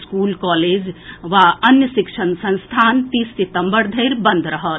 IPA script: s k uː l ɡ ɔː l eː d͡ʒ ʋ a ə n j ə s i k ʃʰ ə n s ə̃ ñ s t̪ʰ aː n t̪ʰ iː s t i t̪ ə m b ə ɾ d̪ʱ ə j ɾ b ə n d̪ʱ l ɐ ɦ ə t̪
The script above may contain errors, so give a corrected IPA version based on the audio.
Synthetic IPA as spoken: s k uː l k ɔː l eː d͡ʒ ʋ a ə n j ə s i k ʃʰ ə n s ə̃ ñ s t̪ʰ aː n t̪ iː s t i t̪ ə m b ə ɾ d̪ʱ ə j ɾ b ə n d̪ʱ ɾ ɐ ɦ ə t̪